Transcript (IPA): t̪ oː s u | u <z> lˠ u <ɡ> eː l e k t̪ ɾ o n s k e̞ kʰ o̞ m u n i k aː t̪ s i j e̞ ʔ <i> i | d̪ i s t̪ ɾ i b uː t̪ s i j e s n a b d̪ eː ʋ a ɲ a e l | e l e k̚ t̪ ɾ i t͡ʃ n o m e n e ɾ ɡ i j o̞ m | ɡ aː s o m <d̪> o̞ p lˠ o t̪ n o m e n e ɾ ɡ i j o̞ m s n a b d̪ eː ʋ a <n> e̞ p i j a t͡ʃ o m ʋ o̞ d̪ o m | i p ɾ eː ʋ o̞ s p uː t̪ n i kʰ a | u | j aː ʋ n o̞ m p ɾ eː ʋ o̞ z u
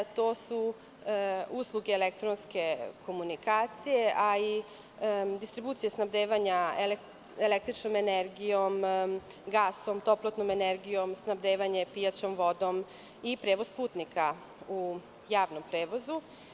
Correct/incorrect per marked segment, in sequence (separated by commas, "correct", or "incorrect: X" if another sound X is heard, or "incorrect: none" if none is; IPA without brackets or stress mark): incorrect: s, correct, incorrect: a, incorrect: t̪, incorrect: ɲ